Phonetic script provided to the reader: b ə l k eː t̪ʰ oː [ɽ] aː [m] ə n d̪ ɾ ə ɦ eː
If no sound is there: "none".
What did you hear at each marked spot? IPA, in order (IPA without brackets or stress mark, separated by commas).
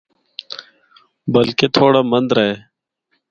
ɽ, m